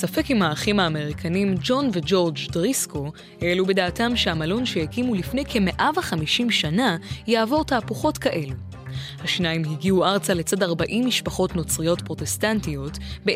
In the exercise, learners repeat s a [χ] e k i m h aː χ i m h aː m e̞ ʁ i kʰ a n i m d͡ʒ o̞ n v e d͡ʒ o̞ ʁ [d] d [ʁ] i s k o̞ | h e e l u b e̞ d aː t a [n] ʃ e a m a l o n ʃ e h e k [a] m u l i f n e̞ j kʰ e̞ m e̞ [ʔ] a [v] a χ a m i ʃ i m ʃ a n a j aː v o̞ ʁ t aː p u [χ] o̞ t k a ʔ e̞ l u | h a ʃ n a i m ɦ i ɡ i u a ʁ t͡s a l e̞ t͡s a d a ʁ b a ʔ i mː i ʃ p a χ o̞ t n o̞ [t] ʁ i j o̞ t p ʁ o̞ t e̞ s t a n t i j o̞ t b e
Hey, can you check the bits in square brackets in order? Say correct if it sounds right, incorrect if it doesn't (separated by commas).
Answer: incorrect, incorrect, correct, incorrect, incorrect, correct, correct, correct, incorrect